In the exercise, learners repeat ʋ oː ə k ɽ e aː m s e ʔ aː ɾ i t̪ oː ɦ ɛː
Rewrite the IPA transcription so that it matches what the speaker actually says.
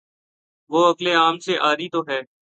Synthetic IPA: ʋ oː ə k l e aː m s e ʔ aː ɾ i t̪ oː ɦ ɛː